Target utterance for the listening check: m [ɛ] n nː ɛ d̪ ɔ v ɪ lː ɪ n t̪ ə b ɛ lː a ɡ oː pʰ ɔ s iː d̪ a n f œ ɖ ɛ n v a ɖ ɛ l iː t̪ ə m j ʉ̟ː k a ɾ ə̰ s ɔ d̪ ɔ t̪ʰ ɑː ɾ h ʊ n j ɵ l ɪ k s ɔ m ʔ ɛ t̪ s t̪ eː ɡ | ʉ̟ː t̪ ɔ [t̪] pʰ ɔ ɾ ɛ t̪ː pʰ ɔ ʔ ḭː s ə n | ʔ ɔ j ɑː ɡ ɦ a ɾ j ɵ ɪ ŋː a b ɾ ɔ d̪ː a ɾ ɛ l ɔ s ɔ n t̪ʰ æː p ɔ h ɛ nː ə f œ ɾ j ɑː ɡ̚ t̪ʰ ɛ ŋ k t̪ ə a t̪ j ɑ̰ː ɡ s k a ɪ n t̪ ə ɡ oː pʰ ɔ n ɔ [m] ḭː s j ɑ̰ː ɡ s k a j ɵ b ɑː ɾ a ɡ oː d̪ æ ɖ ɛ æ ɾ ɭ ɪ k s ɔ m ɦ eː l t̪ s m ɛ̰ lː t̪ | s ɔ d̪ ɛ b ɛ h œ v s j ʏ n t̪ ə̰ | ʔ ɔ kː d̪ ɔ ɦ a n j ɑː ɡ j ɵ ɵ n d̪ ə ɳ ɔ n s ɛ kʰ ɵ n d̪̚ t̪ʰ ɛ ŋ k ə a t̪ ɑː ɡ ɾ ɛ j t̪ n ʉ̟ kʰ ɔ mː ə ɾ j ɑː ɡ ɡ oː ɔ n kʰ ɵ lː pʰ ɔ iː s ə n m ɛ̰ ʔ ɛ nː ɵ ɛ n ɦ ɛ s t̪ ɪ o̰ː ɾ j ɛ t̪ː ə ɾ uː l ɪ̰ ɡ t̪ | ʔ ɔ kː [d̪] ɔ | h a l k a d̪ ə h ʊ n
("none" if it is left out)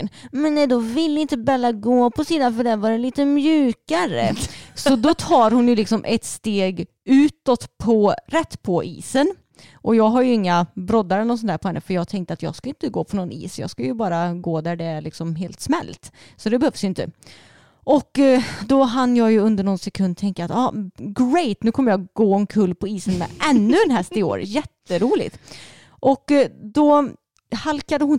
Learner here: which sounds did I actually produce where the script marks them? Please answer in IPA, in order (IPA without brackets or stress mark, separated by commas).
ɛ, t̪, n, d̪